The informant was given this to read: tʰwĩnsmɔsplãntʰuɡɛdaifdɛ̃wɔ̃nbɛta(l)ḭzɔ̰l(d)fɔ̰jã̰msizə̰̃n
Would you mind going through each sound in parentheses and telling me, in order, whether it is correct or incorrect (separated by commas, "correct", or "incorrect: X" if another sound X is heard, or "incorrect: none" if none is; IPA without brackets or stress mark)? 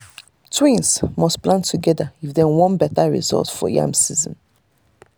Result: incorrect: ɹ, incorrect: t